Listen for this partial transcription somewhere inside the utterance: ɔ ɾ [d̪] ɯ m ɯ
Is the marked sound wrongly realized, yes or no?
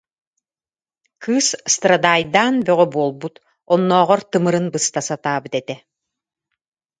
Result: yes